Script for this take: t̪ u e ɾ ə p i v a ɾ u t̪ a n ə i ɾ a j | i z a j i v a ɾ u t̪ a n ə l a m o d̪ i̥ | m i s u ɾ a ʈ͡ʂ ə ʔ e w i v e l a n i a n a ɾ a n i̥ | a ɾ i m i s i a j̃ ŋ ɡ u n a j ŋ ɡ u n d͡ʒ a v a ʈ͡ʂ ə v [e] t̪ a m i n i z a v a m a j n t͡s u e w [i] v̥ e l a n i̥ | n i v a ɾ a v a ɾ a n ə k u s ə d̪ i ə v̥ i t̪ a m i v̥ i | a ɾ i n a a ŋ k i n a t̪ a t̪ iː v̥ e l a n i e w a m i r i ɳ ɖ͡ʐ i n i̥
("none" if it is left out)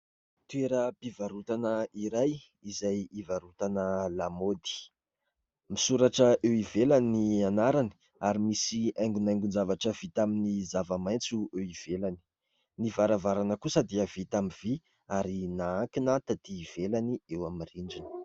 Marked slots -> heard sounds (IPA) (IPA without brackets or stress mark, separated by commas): i, i